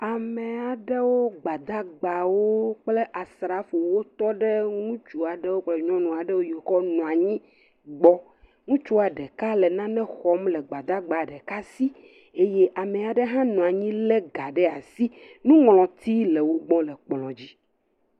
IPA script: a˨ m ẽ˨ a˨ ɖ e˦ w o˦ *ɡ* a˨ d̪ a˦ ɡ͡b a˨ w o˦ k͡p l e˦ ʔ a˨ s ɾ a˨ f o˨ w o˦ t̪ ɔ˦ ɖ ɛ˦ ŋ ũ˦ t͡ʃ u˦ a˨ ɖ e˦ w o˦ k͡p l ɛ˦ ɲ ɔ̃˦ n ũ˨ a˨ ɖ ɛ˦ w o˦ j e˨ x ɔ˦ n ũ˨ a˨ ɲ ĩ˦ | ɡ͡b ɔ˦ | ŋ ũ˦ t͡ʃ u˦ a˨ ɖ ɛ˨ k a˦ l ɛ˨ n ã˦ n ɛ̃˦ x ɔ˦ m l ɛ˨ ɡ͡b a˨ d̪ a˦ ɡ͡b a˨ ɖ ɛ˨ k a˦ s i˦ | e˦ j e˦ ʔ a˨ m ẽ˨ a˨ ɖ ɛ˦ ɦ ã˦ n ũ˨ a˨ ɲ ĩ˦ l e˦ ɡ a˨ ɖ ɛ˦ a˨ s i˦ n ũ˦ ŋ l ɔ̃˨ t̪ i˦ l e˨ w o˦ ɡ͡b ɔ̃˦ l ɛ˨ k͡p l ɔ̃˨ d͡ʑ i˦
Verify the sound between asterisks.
incorrect: ɡ͡b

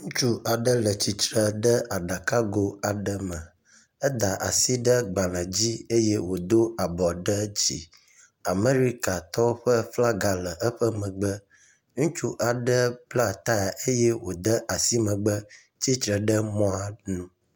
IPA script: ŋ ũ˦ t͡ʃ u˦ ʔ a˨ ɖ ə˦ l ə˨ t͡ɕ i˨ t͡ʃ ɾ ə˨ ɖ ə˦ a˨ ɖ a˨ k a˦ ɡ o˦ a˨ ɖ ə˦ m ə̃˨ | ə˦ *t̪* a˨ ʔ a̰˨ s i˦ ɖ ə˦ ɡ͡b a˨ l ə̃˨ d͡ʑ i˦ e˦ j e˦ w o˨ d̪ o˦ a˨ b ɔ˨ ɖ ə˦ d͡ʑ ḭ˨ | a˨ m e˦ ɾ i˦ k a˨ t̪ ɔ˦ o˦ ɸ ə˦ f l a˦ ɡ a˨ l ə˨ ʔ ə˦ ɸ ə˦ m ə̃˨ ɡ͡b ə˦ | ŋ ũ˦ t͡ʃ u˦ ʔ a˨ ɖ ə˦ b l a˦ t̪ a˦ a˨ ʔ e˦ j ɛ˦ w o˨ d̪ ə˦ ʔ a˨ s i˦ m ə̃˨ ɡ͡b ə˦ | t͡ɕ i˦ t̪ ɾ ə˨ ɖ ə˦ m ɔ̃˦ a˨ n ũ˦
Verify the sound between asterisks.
incorrect: d̪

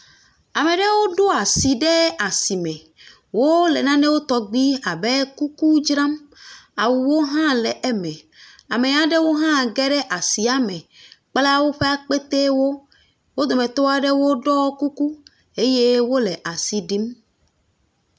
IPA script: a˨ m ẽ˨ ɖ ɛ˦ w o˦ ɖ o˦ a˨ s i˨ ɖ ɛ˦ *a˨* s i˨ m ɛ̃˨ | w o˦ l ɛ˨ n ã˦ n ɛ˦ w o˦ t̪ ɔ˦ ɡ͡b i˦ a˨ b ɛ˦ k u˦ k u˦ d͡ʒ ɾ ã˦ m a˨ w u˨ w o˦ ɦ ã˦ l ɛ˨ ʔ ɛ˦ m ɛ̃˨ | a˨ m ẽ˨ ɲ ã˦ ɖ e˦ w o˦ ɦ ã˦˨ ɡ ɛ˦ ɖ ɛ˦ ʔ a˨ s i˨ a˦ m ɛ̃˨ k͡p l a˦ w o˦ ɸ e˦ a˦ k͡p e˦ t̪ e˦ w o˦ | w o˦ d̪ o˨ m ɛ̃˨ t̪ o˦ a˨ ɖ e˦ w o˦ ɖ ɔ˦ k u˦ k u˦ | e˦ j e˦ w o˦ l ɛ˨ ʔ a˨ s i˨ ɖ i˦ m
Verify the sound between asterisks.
correct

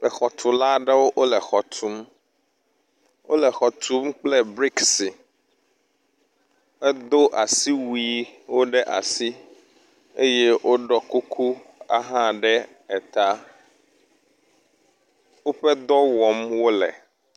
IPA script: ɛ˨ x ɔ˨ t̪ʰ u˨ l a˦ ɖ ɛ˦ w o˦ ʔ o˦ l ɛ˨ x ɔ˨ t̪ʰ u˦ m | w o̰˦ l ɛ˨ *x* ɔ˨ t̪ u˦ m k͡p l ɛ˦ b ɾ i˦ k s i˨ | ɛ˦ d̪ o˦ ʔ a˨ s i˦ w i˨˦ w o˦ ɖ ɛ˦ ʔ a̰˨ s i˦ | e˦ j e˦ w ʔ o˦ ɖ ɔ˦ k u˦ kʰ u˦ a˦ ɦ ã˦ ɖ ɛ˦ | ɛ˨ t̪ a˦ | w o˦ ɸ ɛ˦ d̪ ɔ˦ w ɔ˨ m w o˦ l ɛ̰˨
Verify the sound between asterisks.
correct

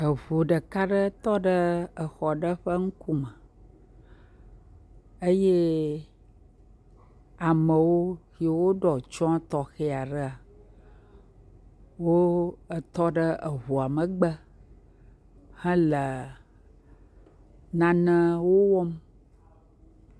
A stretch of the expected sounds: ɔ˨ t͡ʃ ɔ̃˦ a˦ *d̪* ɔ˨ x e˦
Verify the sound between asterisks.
incorrect: t̪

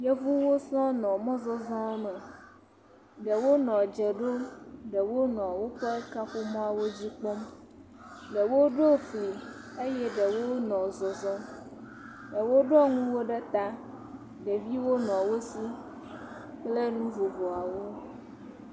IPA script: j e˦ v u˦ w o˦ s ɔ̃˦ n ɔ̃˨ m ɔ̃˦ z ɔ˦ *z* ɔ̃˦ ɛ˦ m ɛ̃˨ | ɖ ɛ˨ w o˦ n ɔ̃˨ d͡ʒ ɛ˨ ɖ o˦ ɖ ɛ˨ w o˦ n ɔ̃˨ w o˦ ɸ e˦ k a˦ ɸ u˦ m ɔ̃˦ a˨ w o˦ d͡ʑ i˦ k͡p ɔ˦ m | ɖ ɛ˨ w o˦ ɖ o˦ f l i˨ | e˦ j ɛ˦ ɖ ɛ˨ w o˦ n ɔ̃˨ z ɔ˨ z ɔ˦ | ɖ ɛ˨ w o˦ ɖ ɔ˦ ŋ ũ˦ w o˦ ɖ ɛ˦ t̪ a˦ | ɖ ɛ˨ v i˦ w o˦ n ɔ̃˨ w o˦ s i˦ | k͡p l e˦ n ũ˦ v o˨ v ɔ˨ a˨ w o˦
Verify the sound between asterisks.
correct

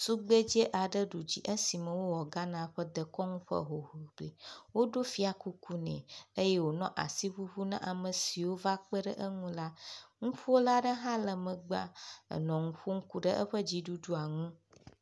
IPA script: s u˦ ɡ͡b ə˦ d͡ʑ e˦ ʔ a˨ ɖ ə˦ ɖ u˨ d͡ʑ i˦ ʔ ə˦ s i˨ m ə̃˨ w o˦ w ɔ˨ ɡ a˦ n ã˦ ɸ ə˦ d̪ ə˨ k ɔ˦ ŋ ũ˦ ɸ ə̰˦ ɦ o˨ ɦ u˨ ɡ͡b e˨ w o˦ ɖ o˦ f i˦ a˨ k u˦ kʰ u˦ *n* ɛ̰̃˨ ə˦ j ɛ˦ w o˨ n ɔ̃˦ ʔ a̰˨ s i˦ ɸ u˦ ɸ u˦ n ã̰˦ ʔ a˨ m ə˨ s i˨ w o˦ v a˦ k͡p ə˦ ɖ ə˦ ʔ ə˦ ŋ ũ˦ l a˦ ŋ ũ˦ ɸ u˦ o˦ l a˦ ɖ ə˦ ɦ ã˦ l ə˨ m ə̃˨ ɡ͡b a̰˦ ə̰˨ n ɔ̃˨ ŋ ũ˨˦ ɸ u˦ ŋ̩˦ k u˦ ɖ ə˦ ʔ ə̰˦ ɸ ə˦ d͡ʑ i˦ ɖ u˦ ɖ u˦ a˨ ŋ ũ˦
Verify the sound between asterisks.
correct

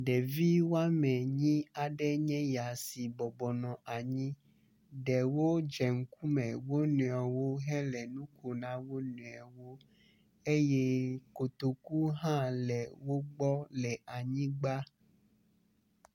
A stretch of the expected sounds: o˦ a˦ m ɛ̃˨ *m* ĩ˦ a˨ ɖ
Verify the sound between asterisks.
incorrect: ɲ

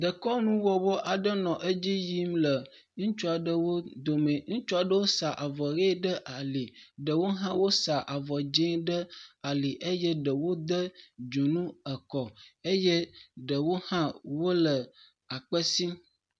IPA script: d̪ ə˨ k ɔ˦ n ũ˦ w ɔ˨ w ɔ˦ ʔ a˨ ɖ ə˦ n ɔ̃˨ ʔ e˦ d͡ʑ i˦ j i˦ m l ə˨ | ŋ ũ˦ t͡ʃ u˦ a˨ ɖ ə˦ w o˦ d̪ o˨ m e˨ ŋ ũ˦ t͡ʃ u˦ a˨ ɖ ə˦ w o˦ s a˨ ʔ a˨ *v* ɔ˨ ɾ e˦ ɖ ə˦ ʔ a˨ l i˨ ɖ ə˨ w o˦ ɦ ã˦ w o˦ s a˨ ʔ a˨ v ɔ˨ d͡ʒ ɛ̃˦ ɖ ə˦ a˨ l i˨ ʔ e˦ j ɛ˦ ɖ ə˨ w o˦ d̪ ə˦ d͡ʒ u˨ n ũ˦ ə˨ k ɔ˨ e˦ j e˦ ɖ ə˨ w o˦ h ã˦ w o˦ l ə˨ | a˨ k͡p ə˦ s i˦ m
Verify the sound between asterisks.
correct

